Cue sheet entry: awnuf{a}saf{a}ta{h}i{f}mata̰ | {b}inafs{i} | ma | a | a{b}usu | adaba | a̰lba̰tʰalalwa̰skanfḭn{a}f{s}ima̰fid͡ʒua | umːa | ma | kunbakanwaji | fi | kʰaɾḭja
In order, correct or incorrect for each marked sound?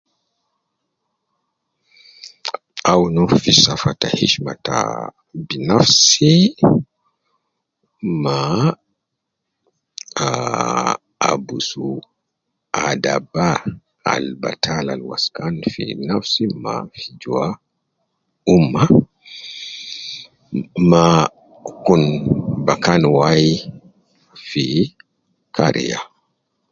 incorrect, correct, correct, incorrect, correct, correct, correct, correct, correct

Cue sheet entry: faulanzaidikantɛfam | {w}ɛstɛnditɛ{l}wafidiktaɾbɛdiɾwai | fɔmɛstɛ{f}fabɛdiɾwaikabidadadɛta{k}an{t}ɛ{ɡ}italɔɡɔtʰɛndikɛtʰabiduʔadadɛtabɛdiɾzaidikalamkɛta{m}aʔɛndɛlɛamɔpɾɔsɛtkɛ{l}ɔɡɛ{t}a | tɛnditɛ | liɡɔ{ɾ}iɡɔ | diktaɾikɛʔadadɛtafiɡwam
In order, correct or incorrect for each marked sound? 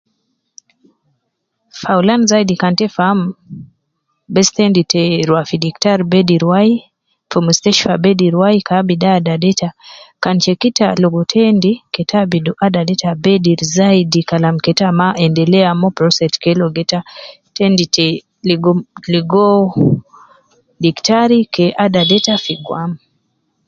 incorrect, incorrect, incorrect, correct, incorrect, incorrect, correct, correct, correct, incorrect

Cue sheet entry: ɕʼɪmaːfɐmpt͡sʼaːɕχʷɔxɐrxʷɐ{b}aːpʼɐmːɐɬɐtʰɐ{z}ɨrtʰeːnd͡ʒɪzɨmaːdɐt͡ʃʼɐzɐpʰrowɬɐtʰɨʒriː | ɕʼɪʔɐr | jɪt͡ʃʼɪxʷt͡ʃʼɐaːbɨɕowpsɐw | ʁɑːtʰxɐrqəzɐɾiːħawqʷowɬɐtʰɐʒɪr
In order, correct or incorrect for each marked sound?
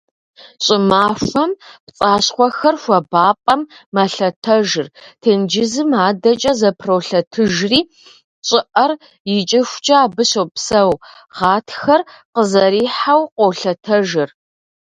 correct, incorrect

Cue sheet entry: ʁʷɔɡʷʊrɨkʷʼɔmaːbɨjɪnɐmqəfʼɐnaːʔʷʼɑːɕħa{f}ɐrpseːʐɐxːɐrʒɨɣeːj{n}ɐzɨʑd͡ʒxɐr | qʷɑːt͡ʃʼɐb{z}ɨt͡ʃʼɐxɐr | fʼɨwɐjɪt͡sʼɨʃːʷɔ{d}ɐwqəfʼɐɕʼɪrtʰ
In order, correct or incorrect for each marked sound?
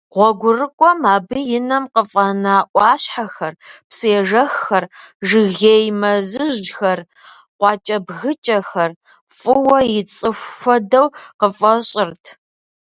incorrect, incorrect, incorrect, correct

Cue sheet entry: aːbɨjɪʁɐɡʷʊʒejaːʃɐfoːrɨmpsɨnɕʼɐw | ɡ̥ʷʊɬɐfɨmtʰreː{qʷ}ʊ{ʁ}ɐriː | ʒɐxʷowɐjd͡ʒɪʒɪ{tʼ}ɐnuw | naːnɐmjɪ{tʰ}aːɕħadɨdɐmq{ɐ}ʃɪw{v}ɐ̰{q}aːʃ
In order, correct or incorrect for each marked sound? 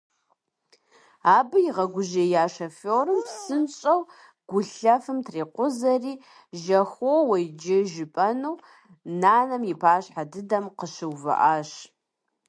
correct, incorrect, incorrect, incorrect, incorrect, correct, incorrect

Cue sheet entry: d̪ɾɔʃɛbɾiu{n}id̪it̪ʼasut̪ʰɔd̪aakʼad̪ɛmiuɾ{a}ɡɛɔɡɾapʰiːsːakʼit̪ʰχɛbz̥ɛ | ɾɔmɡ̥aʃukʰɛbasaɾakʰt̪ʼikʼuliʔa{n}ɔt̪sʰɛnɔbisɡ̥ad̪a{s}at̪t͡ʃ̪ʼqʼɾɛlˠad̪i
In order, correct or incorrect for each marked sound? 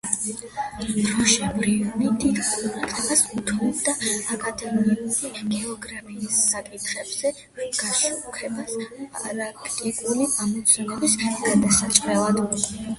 correct, incorrect, incorrect, correct

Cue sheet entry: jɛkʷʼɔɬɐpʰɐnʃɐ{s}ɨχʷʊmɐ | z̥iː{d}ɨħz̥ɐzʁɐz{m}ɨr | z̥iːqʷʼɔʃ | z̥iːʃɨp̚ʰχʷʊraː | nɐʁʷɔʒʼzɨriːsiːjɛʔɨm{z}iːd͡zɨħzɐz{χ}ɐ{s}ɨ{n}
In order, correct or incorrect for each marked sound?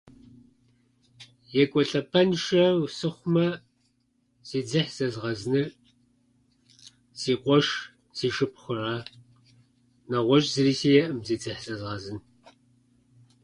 correct, incorrect, incorrect, correct, incorrect, incorrect, correct

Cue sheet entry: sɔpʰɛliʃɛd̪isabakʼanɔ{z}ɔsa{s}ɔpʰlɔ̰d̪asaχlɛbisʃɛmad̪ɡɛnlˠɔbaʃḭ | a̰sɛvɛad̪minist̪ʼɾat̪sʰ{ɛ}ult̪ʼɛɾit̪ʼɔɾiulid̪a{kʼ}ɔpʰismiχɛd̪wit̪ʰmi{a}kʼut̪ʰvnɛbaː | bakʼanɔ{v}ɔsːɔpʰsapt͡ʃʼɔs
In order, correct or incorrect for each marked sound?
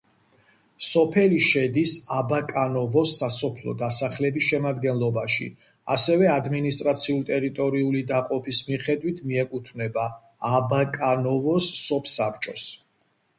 incorrect, correct, incorrect, incorrect, incorrect, correct

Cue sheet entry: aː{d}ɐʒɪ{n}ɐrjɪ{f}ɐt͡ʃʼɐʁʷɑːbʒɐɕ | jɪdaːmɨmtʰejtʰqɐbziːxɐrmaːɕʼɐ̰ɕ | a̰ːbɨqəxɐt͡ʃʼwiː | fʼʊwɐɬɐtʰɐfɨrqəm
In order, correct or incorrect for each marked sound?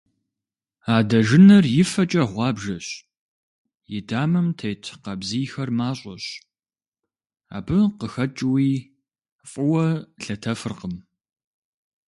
correct, correct, correct

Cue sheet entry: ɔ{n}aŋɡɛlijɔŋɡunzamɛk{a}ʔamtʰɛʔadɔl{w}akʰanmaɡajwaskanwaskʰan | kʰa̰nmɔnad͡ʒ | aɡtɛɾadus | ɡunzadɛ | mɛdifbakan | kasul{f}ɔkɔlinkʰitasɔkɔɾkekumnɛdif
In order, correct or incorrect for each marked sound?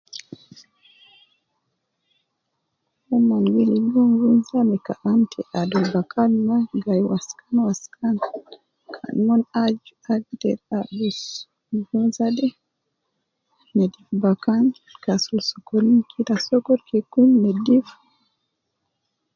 incorrect, correct, incorrect, incorrect

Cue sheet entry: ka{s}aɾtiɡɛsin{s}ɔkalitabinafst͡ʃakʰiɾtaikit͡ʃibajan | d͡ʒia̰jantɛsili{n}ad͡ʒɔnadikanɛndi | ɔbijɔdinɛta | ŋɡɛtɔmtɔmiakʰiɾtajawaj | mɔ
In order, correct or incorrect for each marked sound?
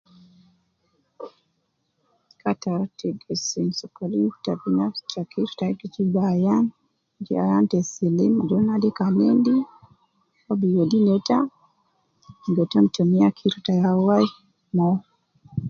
incorrect, correct, incorrect

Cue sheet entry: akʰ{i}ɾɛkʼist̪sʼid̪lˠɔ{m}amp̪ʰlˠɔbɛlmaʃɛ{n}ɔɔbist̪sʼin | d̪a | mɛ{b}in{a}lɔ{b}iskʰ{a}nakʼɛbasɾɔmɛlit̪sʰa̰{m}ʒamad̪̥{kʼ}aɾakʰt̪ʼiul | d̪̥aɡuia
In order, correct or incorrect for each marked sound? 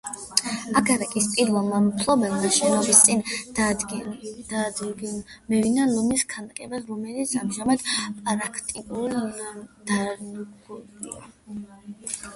incorrect, correct, correct, incorrect, correct, incorrect, correct, correct, incorrect

